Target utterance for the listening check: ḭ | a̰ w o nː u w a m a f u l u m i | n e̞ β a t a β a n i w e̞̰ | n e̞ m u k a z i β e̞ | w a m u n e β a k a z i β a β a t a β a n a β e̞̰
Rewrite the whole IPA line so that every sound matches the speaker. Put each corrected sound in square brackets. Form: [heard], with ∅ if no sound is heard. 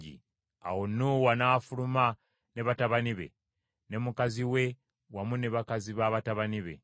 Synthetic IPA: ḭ | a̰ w o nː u w a [n] a f u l u m [a] | n e̞ β a t a β a n i [β] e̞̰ | n e̞ m u k a z i [w] e̞ | w a m u n e β a k a z i β a β a t a β a n [i] β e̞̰